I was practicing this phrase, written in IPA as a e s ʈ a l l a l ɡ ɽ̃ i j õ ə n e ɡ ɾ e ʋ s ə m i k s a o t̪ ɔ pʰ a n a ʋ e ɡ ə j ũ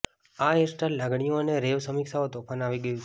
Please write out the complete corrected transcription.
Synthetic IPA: a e s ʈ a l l a ɡ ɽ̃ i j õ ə n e ɾ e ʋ s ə m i k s a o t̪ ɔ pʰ a n a ʋ i ɡ ə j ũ

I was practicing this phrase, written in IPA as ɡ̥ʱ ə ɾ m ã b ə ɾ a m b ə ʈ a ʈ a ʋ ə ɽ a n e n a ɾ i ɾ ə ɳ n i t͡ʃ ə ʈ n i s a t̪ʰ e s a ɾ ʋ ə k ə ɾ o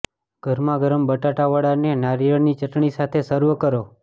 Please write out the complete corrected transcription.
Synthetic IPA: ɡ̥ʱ ə ɾ m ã ɡ ə ɾ ə m b ə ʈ a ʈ a ʋ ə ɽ a n e n a ɾ i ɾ ə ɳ n i t͡ʃ ə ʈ ɳ i s a t̪ʰ e s ə ɾ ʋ ə k ə ɾ o

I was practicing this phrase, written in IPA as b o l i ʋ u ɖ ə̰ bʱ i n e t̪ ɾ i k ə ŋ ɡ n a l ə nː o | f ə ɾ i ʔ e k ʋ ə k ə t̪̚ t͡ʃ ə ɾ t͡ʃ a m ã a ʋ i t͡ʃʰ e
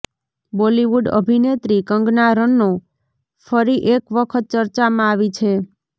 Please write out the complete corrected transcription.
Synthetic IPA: b o l i ʋ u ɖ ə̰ bʱ i n e t̪ ɾ i k ə ŋ ɡ n a ɾ ə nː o | f ə ɾ i ʔ e k ʋ ə kʰ ə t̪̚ t͡ʃ ə ɾ t͡ʃ a m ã a ʋ i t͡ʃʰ e

